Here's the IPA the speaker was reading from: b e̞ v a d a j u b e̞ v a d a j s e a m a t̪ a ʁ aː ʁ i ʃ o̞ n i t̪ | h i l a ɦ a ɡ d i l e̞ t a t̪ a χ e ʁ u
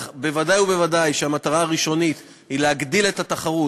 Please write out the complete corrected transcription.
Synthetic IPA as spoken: b e̞ v a d a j u b e̞ v a d a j ʃ e a m a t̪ a ʁ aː ʁ i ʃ o̞ n i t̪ | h i l e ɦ a ɡ d i l e̞ t a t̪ a χ a ʁ u

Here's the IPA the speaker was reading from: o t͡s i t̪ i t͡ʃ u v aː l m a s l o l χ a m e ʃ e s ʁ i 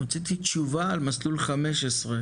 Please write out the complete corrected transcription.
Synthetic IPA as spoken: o t͡s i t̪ i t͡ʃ u v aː l m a s l u l χ a m e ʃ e s ʁ e

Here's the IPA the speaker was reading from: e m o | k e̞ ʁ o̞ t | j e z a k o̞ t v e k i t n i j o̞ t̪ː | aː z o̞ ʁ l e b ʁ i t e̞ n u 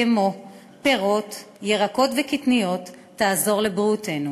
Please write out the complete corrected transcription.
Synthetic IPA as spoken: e m o | p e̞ ʁ o̞ t | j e ʁ a k o̞ t v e k i t n i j o̞ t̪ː | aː z o̞ ʁ l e b ʁ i t e̞ n u

